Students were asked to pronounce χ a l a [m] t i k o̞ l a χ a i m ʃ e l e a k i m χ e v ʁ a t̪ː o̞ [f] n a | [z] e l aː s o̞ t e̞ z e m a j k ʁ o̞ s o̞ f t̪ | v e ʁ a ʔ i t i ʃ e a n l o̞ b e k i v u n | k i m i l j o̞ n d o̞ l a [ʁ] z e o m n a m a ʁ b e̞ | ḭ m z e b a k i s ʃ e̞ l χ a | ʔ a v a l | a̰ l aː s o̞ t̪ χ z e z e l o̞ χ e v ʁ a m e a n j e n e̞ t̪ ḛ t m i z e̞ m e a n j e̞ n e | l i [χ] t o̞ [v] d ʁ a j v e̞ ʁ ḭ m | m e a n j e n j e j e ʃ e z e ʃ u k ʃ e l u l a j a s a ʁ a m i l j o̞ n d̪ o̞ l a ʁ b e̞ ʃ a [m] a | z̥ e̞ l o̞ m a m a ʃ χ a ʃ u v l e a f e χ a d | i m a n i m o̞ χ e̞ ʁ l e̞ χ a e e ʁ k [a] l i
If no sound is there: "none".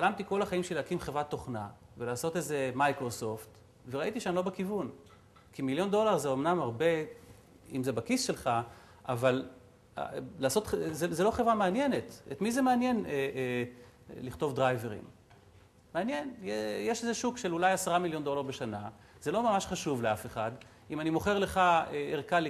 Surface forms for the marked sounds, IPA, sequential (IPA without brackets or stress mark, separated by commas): m, χ, v, ʁ, χ, v, n, a